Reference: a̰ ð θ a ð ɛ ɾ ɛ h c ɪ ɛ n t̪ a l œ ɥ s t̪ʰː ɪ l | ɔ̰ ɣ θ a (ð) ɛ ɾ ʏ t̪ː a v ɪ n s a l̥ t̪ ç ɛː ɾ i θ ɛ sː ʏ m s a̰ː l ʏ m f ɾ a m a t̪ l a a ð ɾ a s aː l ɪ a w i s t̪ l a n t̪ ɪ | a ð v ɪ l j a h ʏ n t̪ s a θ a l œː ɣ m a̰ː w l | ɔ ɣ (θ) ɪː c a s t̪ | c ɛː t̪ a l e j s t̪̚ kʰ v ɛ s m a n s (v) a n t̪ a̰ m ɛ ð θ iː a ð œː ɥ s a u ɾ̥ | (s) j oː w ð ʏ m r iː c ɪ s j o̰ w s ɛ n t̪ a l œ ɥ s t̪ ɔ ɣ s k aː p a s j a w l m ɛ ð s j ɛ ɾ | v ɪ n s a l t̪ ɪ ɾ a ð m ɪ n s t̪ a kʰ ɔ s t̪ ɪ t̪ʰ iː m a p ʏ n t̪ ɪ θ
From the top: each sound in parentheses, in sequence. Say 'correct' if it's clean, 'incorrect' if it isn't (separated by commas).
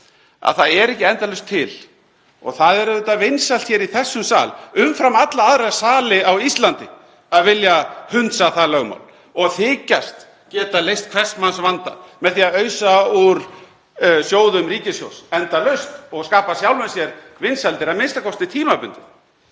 correct, correct, correct, correct